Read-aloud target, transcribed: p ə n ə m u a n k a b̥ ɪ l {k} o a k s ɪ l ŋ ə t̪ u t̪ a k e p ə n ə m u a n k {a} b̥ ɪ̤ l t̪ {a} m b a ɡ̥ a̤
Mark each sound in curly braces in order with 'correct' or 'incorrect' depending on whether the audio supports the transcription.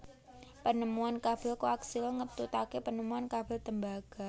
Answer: correct, correct, incorrect: ə

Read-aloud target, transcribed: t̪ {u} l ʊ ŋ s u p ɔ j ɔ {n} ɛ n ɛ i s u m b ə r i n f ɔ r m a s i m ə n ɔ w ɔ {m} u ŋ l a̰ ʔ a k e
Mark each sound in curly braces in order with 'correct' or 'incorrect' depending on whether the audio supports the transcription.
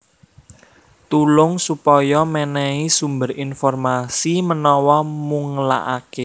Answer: correct, incorrect: m, correct

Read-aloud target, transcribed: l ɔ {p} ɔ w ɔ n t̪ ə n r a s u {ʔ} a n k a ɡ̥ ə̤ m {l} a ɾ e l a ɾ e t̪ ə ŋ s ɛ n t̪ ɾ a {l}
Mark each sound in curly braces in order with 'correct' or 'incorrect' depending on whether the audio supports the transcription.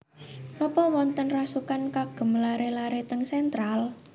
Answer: correct, incorrect: k, correct, correct

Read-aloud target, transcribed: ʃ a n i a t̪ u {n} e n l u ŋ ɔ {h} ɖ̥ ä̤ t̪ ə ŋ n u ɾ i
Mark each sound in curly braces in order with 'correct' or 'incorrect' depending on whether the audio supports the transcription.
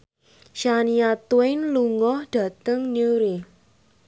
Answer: incorrect: none, correct

